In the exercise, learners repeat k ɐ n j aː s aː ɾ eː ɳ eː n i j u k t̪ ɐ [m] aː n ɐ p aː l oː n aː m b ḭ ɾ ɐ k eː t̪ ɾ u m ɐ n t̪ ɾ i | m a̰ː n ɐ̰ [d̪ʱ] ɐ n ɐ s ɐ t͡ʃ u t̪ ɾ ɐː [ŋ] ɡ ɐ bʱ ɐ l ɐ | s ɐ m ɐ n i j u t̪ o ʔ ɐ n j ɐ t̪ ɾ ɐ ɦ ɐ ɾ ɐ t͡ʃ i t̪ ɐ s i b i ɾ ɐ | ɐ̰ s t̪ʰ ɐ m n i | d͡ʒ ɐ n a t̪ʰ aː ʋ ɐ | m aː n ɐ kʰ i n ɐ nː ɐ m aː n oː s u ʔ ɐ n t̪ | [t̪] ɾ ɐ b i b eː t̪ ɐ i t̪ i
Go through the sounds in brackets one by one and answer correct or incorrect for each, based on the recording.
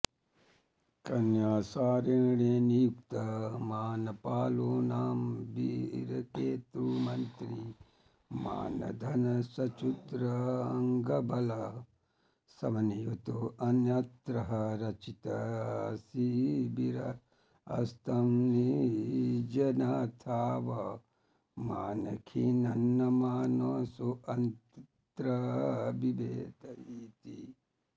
correct, correct, correct, correct

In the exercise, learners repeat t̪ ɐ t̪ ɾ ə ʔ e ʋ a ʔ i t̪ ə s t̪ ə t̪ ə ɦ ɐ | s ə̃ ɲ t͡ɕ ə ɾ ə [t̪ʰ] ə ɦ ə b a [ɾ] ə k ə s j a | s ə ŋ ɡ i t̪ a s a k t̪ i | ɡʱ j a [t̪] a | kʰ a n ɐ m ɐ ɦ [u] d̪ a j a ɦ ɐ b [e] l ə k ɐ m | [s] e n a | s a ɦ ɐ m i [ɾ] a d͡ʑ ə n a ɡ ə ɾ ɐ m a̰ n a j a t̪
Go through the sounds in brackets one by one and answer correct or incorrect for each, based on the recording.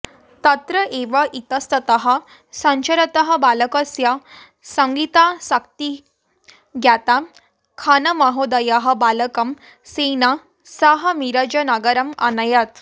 incorrect: t̪, incorrect: l, correct, incorrect: o, incorrect: a, correct, correct

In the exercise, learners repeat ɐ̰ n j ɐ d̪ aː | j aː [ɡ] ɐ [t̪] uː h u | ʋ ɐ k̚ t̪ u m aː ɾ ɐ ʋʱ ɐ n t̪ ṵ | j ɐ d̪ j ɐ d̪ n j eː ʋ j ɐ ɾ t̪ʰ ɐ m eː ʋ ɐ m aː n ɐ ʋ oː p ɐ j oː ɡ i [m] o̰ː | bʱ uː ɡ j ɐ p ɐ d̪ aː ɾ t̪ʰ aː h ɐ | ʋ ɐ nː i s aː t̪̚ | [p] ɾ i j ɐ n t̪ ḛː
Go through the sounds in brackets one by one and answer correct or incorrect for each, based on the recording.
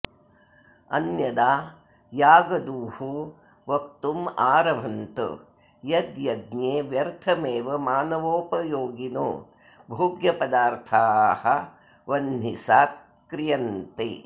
correct, incorrect: d̪, incorrect: n, incorrect: k

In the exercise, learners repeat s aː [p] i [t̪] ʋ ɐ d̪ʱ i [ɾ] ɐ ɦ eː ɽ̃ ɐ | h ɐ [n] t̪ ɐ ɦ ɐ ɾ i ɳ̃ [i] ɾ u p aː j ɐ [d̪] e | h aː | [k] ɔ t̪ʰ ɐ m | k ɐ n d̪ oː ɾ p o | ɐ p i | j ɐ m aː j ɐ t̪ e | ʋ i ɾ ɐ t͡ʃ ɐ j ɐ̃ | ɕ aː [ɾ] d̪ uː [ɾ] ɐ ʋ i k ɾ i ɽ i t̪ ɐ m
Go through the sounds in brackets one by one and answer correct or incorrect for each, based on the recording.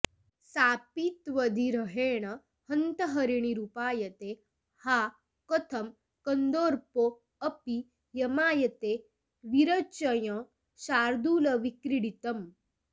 correct, correct, correct, correct, correct, incorrect: t̪, correct, correct, incorrect: l

